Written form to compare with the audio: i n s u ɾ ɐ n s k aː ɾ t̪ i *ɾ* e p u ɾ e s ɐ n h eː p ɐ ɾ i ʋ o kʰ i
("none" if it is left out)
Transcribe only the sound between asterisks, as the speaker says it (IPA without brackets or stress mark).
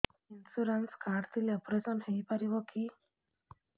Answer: l